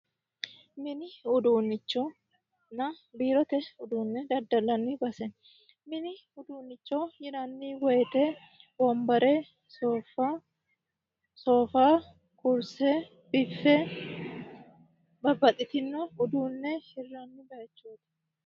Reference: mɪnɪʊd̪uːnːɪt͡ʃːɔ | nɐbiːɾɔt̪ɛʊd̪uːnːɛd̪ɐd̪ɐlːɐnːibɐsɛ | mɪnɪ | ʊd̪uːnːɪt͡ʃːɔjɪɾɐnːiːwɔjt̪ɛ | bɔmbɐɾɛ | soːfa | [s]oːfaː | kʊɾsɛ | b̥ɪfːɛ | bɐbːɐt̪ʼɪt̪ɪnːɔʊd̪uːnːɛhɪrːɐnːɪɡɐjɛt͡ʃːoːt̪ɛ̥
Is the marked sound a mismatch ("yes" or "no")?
no